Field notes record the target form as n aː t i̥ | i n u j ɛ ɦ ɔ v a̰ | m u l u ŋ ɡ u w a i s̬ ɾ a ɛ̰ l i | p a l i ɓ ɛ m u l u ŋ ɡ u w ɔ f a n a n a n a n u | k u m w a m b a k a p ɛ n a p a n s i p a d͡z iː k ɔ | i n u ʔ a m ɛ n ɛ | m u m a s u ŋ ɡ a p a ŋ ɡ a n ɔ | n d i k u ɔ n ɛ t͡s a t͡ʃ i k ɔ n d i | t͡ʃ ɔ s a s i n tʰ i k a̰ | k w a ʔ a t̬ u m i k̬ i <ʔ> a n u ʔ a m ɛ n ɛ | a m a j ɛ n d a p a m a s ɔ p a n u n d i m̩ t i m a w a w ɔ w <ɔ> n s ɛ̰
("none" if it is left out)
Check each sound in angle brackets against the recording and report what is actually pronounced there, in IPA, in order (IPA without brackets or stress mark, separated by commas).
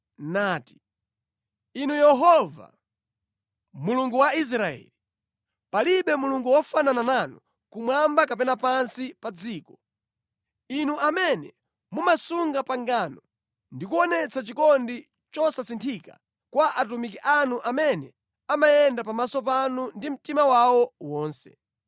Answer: ʔ, ɔː